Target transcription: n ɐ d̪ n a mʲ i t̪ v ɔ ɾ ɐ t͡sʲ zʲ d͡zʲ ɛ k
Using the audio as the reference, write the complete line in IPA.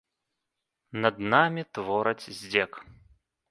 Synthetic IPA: n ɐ d̪ n a mʲ i t̪ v ɔ ɾ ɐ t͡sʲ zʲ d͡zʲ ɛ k